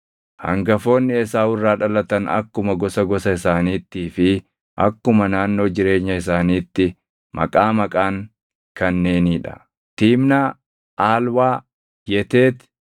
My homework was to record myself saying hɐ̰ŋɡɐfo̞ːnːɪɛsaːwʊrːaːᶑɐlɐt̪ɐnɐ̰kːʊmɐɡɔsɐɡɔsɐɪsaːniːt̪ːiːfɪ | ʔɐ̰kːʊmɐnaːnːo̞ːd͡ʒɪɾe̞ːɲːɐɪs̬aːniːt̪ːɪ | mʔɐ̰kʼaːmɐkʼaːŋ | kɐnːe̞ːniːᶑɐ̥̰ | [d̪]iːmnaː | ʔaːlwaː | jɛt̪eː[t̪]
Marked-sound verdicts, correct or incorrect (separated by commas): incorrect, correct